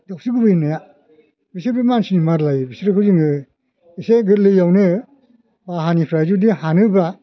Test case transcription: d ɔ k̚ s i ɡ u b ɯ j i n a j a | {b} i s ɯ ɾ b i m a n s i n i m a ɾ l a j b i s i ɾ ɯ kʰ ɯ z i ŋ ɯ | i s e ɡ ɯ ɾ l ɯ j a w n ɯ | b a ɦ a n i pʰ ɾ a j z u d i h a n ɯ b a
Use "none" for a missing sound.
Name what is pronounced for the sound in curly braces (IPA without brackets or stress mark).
b